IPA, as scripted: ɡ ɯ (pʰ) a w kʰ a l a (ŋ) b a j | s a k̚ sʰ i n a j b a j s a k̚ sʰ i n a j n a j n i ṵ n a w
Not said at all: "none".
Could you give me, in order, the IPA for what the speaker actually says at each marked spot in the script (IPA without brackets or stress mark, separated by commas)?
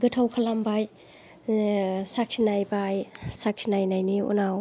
tʰ, m